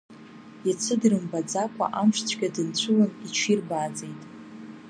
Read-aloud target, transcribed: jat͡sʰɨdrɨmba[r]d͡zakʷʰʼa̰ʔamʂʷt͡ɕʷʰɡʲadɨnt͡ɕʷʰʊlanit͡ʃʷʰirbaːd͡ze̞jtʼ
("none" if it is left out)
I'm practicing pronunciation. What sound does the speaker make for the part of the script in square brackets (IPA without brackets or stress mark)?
none